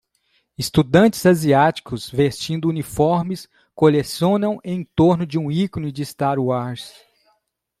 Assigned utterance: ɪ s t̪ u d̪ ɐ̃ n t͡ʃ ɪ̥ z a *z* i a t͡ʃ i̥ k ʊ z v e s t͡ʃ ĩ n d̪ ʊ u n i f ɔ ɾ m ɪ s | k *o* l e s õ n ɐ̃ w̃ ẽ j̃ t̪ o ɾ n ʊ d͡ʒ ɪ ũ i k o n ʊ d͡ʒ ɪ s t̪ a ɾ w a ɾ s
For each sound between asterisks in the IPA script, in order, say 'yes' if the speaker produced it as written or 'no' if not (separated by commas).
yes, yes